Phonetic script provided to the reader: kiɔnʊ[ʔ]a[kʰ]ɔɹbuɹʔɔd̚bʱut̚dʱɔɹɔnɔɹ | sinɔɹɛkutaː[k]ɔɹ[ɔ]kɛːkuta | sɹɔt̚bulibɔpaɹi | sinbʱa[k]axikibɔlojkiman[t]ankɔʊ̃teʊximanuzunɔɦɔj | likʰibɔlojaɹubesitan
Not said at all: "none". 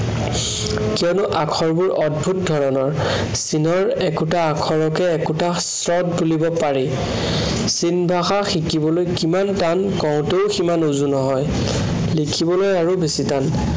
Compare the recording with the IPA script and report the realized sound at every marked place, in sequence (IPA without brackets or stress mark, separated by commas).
ʔ, kʰ, kʰ, ɔ, x, t